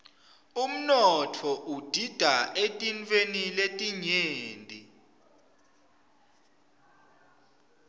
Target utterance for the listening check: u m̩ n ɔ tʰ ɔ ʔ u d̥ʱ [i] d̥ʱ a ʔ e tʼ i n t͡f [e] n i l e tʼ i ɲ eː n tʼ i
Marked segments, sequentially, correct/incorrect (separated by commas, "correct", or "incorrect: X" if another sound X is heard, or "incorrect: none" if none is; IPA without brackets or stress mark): correct, correct